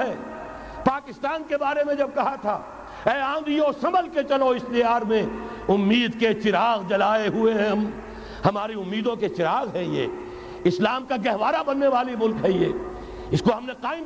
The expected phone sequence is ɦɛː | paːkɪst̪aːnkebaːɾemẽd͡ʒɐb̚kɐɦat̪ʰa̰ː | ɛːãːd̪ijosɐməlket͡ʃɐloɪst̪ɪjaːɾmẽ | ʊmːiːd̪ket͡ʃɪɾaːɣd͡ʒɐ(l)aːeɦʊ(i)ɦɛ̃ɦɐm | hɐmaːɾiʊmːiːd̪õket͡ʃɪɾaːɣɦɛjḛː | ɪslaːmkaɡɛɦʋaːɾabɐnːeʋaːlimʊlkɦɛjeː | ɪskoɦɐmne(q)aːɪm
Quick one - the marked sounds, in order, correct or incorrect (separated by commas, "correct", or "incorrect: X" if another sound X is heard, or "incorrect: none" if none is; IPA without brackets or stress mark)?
correct, incorrect: e, correct